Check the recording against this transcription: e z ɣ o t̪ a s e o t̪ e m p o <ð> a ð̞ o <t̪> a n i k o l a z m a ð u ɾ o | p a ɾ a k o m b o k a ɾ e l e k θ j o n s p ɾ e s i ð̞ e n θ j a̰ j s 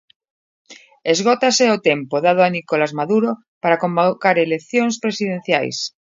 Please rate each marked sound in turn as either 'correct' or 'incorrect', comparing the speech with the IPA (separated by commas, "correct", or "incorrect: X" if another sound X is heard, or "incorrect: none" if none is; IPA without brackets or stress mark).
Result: correct, incorrect: none